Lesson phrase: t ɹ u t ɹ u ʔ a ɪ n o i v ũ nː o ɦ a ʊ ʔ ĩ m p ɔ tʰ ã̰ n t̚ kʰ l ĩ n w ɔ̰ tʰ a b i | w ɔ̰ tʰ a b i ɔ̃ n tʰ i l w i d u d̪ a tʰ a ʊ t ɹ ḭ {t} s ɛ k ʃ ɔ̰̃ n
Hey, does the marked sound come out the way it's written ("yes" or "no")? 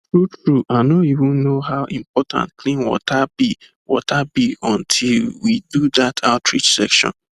no